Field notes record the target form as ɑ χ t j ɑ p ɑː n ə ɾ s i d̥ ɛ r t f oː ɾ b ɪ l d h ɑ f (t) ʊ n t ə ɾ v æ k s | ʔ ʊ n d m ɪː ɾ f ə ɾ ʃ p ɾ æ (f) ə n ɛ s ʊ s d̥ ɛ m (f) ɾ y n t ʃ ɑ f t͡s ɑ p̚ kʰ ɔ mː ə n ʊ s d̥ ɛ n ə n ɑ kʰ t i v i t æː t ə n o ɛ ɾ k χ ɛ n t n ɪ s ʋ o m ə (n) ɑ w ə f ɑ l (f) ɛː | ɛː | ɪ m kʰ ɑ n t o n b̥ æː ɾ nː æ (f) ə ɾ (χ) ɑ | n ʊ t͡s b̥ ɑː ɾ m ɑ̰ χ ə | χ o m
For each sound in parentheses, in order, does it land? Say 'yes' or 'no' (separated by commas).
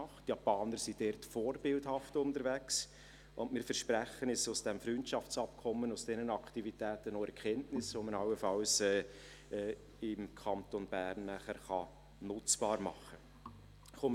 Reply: yes, no, yes, yes, no, no, yes